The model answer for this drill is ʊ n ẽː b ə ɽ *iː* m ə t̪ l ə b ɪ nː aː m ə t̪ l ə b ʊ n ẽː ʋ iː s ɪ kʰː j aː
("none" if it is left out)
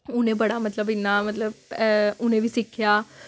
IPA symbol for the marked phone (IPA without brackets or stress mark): aː